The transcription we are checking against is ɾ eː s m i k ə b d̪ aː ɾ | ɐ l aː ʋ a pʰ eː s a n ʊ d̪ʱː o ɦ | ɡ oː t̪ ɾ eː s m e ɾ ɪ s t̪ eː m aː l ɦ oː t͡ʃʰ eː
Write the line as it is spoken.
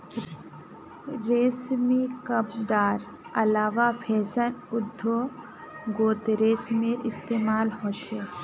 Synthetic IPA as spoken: ɾ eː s m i k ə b d̪ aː ɾ | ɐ l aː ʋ a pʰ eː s ə n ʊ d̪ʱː o | ɡ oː t̪ ɾ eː s m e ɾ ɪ s t̪ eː m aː l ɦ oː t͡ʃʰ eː